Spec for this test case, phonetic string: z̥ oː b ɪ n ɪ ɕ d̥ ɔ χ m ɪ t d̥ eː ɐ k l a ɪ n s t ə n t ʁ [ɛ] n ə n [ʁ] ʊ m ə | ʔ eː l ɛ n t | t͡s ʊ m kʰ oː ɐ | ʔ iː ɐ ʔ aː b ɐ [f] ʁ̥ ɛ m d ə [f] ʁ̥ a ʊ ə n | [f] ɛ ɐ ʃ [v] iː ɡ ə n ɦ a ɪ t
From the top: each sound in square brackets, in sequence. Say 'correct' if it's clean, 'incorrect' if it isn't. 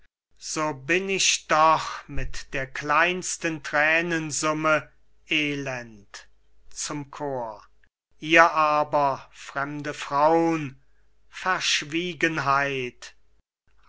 incorrect: ɛː, incorrect: z, correct, correct, correct, correct

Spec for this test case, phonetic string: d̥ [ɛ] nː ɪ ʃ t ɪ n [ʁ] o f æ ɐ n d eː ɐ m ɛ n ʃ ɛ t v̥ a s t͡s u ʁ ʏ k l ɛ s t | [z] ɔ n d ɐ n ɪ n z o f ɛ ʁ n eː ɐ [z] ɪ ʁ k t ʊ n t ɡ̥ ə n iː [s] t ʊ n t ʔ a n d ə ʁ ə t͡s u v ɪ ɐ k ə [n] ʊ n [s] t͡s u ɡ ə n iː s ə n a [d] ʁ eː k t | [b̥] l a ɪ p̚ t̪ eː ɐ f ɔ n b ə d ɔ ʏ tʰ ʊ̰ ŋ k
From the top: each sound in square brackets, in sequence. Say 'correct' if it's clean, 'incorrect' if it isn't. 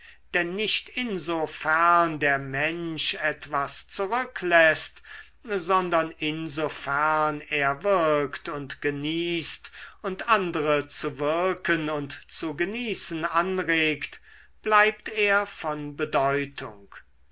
correct, incorrect: z, correct, incorrect: v, correct, correct, incorrect: t, incorrect: n, correct

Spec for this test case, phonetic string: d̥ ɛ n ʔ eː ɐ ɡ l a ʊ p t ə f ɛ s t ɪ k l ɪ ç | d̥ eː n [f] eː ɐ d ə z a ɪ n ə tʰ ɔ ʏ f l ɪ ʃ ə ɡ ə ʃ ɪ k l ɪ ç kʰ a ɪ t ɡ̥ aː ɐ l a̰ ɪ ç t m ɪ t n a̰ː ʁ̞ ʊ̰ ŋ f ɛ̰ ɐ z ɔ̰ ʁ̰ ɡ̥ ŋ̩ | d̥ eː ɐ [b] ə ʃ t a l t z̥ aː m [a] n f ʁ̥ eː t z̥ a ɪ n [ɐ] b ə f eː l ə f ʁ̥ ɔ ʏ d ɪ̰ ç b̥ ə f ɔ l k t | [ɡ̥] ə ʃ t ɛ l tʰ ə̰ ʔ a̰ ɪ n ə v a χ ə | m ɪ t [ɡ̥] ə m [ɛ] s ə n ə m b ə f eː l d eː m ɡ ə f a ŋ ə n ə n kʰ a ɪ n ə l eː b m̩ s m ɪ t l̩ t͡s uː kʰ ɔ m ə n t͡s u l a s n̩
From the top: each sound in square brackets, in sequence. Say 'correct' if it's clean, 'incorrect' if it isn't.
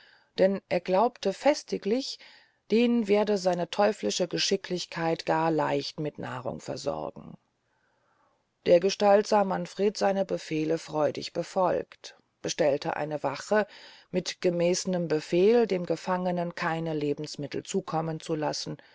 incorrect: v, incorrect: ɡ, correct, incorrect: ə, incorrect: b̥, correct, incorrect: ɛː

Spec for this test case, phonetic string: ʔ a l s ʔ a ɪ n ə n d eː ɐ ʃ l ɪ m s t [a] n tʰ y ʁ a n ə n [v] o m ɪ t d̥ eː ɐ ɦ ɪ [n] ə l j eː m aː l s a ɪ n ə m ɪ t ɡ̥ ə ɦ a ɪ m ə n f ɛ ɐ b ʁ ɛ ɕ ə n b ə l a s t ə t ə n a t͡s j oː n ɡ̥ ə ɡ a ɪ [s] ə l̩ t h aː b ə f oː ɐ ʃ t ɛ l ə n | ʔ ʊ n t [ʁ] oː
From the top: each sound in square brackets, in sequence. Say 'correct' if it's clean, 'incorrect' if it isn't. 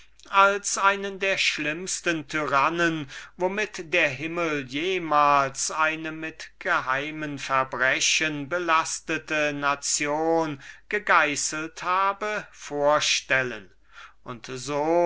incorrect: ə, correct, incorrect: m, correct, incorrect: z

